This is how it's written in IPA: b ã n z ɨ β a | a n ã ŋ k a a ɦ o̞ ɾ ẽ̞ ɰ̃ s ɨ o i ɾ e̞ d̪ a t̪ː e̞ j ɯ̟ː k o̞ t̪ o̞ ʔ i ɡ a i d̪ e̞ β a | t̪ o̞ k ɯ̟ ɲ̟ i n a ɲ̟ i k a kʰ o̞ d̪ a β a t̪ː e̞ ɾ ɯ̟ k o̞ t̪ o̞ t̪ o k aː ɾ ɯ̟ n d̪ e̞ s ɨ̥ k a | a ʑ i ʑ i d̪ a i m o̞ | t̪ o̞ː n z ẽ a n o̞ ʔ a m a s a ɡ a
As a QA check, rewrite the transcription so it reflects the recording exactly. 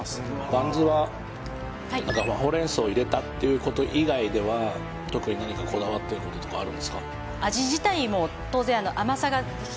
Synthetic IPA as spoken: b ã n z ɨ β a | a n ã ŋ k a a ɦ o̞ ɾ ẽ̞ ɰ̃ s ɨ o i ɾ e̞ t̪ a t̪ː e̞ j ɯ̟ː k o̞ t̪ o̞ ʔ i ɡ a i d̪ e̞ β a | t̪ o̞ k ɯ̟ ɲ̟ i n a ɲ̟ i k a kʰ o̞ d̪ a β a t̪ː e̞ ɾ ɯ̟ k o̞ t̪ o̞ t̪ o k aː ɾ ɯ̟ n d̪ e̞ s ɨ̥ k a | a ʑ i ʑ i t̪ a i m o̞ | t̪ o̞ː z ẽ a n o̞ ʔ a m a s a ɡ a